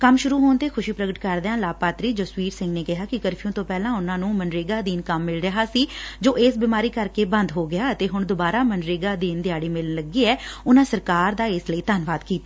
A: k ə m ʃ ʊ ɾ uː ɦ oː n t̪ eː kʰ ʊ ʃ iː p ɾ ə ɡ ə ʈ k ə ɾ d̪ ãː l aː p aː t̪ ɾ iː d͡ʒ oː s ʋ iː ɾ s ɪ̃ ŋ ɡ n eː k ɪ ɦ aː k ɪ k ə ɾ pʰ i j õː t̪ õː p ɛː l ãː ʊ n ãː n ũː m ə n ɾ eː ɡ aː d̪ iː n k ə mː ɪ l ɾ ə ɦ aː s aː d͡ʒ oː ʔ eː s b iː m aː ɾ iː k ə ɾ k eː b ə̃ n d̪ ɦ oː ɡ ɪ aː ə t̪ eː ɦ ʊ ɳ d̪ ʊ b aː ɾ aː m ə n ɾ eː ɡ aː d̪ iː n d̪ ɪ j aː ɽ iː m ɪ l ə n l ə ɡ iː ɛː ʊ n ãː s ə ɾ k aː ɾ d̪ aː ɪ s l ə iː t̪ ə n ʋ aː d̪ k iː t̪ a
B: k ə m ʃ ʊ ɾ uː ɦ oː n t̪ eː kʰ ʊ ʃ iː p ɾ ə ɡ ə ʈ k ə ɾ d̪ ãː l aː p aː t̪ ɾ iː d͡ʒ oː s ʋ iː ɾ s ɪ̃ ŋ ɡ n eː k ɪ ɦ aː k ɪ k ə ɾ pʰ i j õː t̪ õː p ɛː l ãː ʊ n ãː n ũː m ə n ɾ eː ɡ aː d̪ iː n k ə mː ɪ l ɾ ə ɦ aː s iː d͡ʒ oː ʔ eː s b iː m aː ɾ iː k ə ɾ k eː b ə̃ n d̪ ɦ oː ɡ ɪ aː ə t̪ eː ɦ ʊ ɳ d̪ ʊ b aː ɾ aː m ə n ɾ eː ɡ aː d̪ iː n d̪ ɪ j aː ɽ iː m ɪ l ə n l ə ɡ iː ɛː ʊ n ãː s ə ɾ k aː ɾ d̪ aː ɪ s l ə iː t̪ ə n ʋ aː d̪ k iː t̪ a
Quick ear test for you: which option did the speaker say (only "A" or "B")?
B